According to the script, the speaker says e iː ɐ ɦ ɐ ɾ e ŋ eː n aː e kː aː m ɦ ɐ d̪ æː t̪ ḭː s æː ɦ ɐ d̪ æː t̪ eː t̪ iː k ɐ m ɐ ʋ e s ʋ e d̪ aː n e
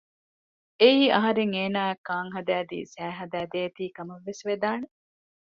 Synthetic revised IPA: e iː ɐ ɦ ɐ ɾ e ŋ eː n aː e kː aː ŋ ɦ ɐ d̪ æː d̪ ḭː s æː ɦ ɐ d̪ æː d̪ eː t̪ iː k ɐ m ɐ ʋː e s ʋ e d̪ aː n e